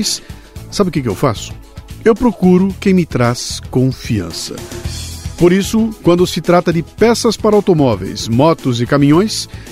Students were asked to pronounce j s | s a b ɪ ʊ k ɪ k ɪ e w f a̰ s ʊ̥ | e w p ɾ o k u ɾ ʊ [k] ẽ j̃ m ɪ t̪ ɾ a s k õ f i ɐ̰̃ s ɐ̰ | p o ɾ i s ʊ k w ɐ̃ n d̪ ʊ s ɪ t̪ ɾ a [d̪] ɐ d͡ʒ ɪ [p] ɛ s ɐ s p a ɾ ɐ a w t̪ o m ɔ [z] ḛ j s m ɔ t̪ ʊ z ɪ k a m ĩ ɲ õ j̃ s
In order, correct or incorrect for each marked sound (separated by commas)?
correct, incorrect, correct, incorrect